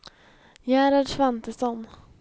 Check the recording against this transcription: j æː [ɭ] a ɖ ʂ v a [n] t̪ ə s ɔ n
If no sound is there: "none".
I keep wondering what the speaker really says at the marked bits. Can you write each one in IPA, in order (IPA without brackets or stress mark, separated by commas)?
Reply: ɾ, n